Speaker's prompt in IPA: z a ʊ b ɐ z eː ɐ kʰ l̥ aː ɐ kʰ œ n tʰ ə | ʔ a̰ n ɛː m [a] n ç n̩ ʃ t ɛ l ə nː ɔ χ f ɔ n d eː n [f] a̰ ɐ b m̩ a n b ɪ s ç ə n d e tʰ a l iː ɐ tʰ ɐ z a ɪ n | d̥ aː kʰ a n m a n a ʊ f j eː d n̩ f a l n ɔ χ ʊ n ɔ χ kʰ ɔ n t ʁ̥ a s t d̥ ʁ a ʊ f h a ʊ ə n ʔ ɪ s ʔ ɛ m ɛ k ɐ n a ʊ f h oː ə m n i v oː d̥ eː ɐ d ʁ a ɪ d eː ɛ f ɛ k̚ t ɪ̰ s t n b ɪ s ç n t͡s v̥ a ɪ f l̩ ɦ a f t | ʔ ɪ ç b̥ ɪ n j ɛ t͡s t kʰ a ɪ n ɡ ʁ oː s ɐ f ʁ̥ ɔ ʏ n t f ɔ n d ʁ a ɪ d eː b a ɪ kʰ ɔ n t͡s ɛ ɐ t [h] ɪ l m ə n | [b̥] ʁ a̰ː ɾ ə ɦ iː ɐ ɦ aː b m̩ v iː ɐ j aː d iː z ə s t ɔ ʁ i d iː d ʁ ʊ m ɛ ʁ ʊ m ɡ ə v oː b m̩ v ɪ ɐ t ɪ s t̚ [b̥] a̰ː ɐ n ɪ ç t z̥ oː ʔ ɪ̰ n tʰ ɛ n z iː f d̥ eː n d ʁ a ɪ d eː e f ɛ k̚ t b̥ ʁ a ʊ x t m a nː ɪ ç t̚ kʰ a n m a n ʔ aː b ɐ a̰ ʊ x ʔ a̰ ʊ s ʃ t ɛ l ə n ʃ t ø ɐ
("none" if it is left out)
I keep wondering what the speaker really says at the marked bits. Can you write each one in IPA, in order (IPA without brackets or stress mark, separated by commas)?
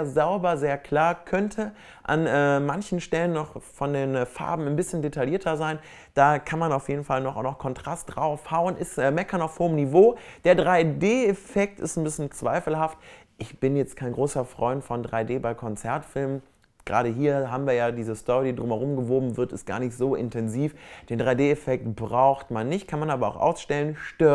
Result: a, f, f, ɡ̥, ɡ̥